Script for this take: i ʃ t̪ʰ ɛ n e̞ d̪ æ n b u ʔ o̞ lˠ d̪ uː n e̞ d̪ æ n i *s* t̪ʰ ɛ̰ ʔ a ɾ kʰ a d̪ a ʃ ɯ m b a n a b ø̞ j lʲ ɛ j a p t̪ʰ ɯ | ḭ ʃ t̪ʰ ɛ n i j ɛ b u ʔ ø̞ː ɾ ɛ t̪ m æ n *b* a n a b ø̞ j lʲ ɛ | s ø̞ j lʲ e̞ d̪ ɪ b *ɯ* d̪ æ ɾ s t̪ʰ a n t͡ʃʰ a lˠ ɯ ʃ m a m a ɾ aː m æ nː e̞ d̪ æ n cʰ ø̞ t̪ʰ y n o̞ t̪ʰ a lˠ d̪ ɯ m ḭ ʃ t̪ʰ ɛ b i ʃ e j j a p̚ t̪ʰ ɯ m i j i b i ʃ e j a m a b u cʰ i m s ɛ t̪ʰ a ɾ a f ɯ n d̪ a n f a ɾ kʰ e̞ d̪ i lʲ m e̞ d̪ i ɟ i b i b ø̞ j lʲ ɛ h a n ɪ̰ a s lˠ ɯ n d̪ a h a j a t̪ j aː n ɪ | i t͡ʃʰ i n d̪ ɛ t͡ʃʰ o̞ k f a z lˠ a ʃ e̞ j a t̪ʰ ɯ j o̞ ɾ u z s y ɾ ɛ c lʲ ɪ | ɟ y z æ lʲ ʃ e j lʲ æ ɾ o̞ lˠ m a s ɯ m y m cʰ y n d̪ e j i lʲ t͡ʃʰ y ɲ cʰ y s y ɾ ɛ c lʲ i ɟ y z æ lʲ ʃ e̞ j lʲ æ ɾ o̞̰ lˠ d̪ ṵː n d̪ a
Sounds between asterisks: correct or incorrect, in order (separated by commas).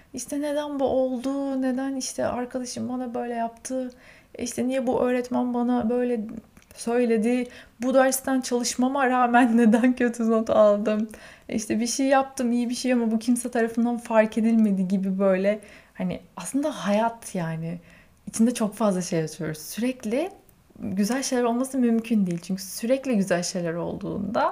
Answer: incorrect, correct, incorrect